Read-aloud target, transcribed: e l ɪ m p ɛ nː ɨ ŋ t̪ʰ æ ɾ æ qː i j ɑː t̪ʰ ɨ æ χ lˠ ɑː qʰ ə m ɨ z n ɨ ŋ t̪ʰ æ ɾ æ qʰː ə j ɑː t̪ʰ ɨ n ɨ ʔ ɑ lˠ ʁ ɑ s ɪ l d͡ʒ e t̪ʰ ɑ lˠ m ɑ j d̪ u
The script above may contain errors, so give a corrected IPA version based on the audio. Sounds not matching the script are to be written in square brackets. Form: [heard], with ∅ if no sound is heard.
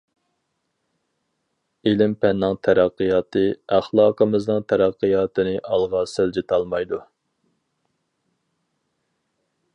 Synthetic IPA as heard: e l ɪ m p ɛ nː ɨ ŋ t̪ʰ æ ɾ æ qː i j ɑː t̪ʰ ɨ æ χ lˠ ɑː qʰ ə m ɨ z n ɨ ŋ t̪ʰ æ ɾ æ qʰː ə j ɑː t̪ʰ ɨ n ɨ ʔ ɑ lˠ ʁ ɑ s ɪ l d͡ʒ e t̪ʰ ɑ lˠ m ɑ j d̪ u

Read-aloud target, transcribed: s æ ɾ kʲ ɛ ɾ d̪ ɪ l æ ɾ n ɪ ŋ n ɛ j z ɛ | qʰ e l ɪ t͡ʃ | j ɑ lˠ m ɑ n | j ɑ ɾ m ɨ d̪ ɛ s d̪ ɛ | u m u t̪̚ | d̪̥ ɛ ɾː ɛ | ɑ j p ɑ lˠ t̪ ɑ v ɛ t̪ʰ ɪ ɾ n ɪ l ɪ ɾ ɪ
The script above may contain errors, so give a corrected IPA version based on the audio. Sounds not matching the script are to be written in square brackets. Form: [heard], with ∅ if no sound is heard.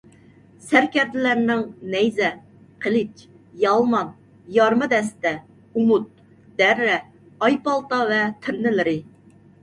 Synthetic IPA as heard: s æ ɾ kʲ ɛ ɾ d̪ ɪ l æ ɾ n ɪ ŋ n ɛ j z ɛ | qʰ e l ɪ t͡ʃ | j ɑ lˠ m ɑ n | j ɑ ɾ m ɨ d̪ ɛ s [t̪] ɛ | u m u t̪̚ | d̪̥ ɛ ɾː ɛ | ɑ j p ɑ lˠ t̪ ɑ v ɛ t̪ʰ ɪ ɾ n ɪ l ɪ ɾ ɪ

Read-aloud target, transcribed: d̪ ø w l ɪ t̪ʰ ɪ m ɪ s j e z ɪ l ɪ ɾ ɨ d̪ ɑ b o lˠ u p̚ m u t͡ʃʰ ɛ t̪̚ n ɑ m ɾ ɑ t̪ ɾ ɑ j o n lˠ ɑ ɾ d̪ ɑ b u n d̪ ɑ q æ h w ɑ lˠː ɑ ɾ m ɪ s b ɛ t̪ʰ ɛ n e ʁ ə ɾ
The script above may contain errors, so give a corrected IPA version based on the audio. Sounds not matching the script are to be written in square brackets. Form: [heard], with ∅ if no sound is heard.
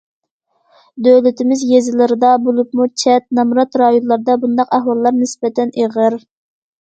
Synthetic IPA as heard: d̪ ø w l ɪ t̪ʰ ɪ m ɪ [z] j e z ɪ l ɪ ɾ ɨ d̪ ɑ b o lˠ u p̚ m u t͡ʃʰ ɛ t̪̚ n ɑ m ɾ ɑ t̪ ɾ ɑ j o n lˠ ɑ ɾ d̪ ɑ b u n d̪ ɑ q æ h w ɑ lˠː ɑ ɾ [n] ɪ s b ɛ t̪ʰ ɛ n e ʁ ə ɾ

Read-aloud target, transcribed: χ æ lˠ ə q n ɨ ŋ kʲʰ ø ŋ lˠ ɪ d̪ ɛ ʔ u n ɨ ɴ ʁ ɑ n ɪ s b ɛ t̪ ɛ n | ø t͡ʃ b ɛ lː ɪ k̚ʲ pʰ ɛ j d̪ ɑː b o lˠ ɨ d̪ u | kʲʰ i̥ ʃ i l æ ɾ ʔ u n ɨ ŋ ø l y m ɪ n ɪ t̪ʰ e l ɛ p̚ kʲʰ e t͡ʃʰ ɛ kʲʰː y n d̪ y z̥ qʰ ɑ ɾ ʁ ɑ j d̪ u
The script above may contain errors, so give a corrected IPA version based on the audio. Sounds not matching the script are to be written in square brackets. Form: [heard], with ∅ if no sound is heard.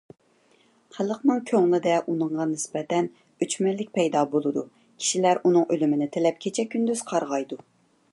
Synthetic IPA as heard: χ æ lˠ ə q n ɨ ŋ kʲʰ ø ŋ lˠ ɪ d̪ ɛ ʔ u n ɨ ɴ ʁ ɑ n ɪ s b ɛ t̪ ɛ n | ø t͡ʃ [m] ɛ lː ɪ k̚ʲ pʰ ɛ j d̪ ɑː b o lˠ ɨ d̪ u | kʲʰ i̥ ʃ i l æ ɾ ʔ u n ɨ ŋ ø l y m ɪ n ɪ t̪ʰ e l ɛ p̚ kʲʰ e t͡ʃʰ ɛ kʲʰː y n d̪ y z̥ qʰ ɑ ɾ ʁ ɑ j d̪ u

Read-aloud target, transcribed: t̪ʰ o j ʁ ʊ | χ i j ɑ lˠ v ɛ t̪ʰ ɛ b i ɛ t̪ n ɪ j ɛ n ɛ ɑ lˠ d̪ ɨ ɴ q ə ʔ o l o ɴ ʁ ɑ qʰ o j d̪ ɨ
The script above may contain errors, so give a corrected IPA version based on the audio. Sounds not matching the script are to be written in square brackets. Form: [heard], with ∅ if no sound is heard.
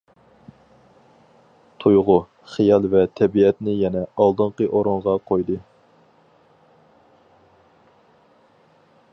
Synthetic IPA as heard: t̪ʰ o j ʁ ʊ | χ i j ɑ lˠ v ɛ t̪ʰ ɛ b i ɛ t̪ n ɪ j ɛ n ɛ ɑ lˠ d̪ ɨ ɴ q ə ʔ o [ɾ] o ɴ ʁ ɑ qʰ o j d̪ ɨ

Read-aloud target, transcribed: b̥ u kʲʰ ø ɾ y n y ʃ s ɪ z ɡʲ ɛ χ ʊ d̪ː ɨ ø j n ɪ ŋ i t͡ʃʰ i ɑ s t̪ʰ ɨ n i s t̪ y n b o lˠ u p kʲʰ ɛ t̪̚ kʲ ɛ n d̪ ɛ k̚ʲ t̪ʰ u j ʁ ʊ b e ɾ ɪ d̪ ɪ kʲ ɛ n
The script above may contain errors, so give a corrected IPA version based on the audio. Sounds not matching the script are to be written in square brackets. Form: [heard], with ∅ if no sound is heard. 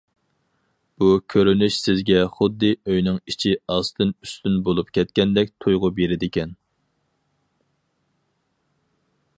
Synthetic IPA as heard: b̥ u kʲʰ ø ɾ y n y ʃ s ɪ z ɡʲ ɛ χ ʊ d̪ː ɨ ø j n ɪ ŋ i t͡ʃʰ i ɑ s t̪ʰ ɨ n [y] s t̪ y n b o lˠ u p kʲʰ ɛ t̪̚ kʲ ɛ n d̪ ɛ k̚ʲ t̪ʰ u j ʁ ʊ b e ɾ ɪ d̪ ɪ kʲ ɛ n

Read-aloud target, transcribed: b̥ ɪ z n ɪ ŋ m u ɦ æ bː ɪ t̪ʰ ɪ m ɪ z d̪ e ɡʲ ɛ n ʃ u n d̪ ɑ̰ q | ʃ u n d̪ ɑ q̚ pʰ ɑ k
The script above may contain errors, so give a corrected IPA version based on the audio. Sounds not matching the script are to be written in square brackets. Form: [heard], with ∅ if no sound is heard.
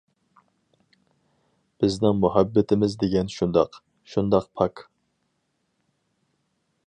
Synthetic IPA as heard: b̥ ɪ z n ɪ ŋ m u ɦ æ bː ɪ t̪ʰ ɪ m ɪ z d̪ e ɡʲ ɛ n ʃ u n d̪ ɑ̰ q | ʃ u n d̪ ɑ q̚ pʰ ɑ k

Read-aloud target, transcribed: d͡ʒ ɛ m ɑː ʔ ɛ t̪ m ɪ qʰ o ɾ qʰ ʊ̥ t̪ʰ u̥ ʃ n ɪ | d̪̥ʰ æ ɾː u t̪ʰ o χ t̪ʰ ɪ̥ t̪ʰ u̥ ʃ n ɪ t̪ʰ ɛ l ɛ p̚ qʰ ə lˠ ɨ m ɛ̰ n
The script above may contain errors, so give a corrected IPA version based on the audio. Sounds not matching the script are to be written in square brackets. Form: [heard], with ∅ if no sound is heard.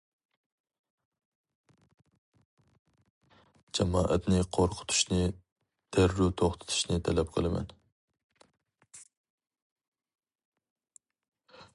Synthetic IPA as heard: d͡ʒ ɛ m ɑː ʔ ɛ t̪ [n] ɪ qʰ o ɾ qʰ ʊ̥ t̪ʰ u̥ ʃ n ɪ | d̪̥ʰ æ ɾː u t̪ʰ o χ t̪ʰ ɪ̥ t̪ʰ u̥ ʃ n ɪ t̪ʰ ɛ l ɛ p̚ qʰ ə lˠ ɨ m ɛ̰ n

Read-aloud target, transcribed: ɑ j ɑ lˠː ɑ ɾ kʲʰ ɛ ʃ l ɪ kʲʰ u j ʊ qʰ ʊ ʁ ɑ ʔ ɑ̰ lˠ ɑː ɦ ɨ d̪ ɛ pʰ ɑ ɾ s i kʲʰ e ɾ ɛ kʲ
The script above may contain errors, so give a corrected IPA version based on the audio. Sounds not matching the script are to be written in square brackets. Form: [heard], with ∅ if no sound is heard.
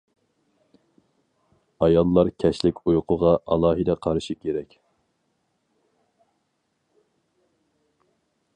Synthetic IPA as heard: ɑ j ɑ lˠː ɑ ɾ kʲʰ ɛ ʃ l ɪ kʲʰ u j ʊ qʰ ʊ ʁ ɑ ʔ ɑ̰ lˠ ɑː ɦ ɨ d̪ ɛ [qʰ] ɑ ɾ [ʃ] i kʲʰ e ɾ ɛ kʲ

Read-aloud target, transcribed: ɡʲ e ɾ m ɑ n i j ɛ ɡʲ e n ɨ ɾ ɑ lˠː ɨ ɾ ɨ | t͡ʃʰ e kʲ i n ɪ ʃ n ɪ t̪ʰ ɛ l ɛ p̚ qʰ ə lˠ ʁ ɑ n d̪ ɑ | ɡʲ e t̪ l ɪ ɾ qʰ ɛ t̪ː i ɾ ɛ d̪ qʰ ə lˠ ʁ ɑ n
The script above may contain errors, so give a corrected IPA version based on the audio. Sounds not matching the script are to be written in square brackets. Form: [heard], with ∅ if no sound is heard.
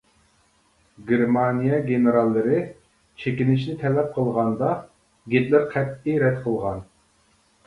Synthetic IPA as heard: ɡʲ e ɾ m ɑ n i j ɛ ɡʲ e n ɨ ɾ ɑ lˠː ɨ ɾ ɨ | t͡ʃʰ e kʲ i n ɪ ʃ n ɪ t̪ʰ ɛ l ɛ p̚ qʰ ə lˠ ʁ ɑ n d̪ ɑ | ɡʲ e t̪ l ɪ ɾ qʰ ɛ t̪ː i ɾ ɛ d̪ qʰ ə lˠ ʁ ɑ n

